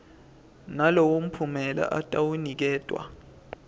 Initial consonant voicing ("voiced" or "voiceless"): voiced